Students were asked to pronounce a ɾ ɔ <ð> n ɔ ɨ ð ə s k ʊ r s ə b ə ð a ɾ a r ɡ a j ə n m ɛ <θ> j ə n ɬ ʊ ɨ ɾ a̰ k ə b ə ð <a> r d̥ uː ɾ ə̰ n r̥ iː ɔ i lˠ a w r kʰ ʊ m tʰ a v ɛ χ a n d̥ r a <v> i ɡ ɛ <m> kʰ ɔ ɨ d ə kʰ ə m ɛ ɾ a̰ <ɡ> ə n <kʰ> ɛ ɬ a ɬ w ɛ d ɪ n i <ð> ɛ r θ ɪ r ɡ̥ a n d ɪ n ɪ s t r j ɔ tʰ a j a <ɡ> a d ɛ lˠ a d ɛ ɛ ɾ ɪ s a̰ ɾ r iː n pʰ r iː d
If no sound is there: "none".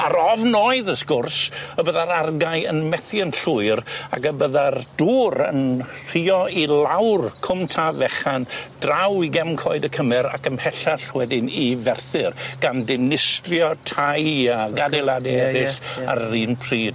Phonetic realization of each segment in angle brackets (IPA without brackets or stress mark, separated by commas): v, θ, a, w, m, k, pʰ, v, ɡ